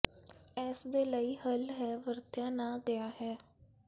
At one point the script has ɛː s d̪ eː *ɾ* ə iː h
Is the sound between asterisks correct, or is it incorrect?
incorrect